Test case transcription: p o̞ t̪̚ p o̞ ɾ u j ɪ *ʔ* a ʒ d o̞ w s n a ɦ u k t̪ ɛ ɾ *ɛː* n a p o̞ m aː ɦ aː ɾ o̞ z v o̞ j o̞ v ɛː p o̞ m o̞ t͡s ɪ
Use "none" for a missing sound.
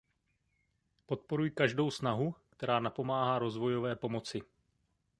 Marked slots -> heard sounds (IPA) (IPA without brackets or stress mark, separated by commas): k, aː